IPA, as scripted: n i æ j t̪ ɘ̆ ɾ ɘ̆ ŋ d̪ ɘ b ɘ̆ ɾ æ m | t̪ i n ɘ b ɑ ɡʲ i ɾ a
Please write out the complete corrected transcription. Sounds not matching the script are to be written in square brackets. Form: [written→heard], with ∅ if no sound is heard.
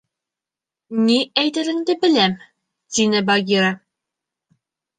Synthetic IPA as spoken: n i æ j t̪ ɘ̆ ɾ ɘ̆ ŋ d̪ ɘ b ɘ̆ [ɾ→l] æ m | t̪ i n ɘ b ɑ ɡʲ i ɾ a